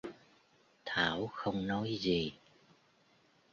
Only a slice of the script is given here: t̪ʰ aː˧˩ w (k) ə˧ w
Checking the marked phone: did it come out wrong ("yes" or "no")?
yes